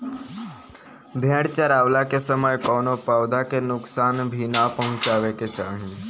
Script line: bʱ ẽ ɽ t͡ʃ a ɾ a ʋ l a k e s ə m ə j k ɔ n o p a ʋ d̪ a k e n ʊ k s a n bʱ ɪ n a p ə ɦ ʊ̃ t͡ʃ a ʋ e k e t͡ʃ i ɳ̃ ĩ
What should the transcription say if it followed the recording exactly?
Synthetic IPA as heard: bʱ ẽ ɽ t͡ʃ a ɾ a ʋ l a k e s ə m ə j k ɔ n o p a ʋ d̪ a k e n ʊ k s a n bʱ i n a p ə ɦ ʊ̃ t͡ʃ a ʋ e k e t͡ʃ a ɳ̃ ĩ